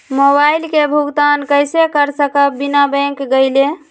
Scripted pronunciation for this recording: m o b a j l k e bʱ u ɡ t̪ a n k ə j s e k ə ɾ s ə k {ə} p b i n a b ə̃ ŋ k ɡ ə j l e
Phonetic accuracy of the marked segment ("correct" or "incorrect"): correct